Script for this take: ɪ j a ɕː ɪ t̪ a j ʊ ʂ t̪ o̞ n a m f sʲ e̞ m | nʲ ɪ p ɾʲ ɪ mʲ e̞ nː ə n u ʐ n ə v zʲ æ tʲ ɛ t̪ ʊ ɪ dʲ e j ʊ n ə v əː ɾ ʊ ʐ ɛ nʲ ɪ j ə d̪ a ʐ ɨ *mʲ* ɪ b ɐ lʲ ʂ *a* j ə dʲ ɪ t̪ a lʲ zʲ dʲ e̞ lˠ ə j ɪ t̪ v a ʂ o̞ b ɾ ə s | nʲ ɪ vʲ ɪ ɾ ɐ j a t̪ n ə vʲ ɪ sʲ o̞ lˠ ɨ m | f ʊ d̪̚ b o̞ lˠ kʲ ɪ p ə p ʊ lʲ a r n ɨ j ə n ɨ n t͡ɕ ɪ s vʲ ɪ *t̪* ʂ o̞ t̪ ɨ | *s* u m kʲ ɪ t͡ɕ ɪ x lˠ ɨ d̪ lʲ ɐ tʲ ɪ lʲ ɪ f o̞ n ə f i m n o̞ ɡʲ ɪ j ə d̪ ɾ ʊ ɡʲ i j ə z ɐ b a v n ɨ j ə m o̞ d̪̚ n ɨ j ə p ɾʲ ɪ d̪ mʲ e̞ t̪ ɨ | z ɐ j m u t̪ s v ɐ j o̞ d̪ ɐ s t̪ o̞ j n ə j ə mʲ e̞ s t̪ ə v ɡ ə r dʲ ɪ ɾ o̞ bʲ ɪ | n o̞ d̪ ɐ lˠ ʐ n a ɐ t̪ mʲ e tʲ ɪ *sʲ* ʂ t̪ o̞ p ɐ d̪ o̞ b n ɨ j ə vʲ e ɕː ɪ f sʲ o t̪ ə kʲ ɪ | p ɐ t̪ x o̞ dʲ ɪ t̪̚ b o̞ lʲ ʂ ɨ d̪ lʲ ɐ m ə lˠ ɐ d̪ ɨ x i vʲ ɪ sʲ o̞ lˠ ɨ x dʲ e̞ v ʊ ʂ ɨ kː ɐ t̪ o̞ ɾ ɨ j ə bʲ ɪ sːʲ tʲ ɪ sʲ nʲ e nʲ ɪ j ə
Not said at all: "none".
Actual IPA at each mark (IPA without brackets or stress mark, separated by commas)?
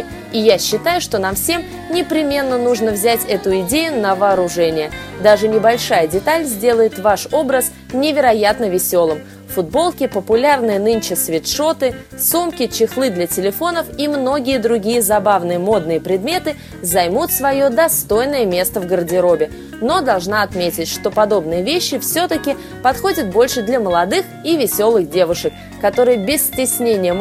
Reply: nʲ, a, t̪, s, tʲ